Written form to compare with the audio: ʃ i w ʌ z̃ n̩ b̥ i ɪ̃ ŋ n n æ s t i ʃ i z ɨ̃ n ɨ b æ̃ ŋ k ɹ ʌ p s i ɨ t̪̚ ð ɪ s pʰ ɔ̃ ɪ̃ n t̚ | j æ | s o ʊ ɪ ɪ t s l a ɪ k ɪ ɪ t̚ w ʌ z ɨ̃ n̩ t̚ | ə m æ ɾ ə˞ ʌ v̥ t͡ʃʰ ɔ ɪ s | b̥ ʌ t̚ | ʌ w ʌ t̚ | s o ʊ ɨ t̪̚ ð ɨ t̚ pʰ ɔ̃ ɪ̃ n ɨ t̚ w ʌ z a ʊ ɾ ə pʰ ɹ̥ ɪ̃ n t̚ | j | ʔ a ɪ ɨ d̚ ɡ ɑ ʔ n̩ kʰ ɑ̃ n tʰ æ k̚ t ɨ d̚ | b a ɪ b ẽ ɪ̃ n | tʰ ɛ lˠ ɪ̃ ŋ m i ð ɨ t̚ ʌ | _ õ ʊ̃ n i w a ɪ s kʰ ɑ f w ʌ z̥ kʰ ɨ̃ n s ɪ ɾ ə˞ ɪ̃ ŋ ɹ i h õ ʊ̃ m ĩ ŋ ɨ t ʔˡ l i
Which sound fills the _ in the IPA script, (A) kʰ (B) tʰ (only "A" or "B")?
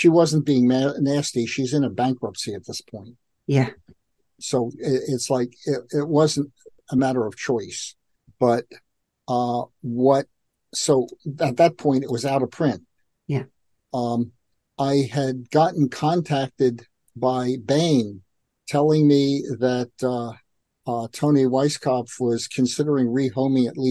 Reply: B